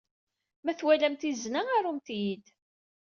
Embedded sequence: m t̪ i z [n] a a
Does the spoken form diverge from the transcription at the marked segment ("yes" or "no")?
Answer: no